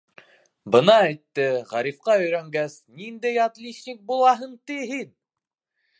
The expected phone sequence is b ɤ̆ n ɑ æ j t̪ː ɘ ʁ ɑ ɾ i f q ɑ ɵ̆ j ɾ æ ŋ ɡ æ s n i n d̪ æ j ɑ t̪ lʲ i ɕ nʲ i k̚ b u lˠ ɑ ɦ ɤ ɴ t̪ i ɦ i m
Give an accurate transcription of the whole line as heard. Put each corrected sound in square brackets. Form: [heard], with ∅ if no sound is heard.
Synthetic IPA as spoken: b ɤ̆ n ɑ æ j t̪ː ɘ ʁ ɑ ɾ i f q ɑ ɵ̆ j ɾ æ ŋ ɡ æ s n i n d̪ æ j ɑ t̪ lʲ i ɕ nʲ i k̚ b u lˠ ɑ ɦ ɤ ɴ t̪ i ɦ i [n]